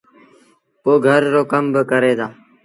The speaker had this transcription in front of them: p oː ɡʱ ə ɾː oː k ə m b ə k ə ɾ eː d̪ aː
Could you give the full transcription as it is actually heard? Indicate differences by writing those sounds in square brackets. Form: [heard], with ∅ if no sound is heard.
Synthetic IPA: p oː ɡʱ ə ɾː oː k ə m b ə k ə ɾ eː d̪ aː